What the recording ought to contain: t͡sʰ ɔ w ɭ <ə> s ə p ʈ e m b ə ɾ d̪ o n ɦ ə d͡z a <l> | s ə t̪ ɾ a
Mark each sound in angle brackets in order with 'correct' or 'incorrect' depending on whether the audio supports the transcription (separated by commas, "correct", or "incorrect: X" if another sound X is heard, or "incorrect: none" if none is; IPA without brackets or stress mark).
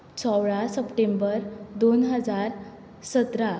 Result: incorrect: a, incorrect: ɾ